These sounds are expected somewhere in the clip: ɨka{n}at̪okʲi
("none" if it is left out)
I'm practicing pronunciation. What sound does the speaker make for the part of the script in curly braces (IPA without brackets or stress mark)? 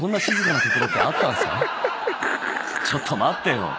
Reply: n